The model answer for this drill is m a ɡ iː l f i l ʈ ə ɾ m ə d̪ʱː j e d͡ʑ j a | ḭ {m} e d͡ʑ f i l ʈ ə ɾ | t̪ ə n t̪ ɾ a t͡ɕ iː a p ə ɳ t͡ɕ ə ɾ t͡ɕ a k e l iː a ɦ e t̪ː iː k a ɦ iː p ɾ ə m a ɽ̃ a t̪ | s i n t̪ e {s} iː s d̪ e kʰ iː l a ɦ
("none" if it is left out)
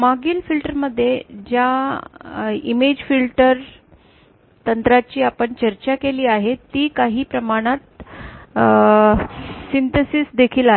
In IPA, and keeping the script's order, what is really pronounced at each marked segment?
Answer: m, s

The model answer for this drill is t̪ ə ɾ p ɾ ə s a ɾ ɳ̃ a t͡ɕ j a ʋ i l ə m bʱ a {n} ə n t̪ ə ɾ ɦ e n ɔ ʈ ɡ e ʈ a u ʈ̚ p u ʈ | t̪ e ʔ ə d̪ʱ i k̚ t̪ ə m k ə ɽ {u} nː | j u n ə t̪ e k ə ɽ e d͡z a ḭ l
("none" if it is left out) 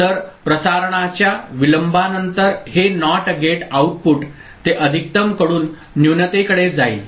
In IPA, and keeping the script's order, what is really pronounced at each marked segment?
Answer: n, uː

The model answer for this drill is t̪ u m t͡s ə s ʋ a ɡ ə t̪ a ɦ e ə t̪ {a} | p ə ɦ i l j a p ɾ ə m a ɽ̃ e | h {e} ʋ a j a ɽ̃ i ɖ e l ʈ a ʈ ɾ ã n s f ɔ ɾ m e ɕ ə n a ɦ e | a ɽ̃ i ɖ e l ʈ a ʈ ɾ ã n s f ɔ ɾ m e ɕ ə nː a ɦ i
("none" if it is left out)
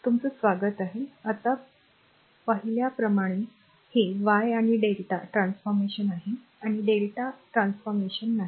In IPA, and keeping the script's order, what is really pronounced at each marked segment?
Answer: a, e

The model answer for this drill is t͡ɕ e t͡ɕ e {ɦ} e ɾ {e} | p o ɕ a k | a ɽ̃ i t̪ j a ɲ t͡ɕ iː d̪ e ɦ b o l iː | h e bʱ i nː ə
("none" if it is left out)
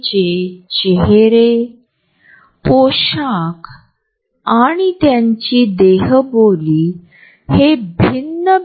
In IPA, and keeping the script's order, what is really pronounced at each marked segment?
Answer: ɦ, e

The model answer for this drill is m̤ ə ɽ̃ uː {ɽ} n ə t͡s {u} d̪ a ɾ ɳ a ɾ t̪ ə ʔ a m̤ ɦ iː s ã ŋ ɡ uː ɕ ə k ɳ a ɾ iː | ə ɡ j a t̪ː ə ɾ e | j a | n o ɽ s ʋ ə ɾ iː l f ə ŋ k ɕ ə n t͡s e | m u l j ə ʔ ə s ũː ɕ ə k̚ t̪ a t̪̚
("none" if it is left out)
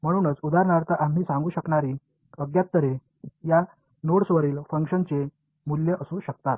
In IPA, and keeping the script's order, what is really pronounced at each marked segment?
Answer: none, u

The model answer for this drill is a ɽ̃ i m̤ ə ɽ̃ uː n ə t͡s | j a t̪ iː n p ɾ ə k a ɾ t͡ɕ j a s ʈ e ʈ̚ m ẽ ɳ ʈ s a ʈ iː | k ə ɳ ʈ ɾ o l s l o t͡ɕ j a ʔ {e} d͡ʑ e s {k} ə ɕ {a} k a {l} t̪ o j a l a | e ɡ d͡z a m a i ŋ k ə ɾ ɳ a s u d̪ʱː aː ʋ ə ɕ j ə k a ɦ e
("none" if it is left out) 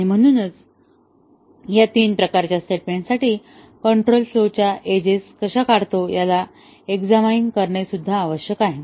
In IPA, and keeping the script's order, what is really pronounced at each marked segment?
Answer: e, k, a, ɽ

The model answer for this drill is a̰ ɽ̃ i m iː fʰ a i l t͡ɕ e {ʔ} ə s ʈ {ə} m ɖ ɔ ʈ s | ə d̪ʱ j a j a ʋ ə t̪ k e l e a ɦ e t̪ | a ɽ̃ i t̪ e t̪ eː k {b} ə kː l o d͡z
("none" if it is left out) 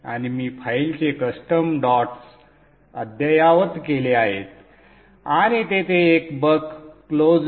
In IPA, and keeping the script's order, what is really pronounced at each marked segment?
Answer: k, ə, b

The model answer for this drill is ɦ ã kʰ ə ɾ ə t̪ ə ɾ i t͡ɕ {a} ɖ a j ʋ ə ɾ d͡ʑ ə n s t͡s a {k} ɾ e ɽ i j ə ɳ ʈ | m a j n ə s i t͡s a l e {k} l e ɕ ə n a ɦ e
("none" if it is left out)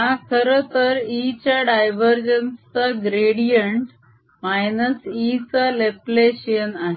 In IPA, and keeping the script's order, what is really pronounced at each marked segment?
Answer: a, ɡ, p

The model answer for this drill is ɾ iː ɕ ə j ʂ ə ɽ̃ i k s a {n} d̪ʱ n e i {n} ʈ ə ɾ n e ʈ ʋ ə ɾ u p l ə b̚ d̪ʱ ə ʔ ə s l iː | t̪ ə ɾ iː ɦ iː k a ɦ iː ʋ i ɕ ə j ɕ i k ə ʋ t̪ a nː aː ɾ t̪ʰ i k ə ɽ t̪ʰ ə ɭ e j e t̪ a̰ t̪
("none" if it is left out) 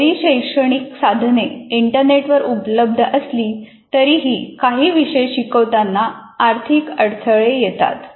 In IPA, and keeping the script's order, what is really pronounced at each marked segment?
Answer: none, ɳ

